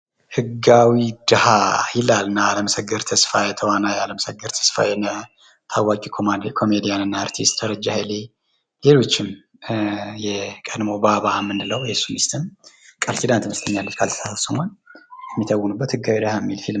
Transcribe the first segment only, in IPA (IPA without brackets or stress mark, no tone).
h